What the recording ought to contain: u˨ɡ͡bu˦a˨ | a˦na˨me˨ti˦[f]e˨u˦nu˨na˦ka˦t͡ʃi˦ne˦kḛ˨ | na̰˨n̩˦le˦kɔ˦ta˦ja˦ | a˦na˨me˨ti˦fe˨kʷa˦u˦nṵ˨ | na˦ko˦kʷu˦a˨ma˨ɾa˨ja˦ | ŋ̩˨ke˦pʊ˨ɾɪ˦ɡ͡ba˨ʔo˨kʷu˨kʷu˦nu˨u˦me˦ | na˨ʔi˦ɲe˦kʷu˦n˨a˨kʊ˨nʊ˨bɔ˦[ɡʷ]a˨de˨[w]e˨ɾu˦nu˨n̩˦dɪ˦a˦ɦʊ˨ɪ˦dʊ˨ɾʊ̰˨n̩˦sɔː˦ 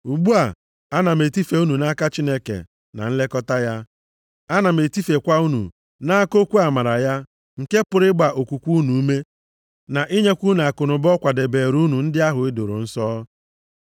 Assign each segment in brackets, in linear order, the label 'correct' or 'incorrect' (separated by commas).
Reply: correct, incorrect, incorrect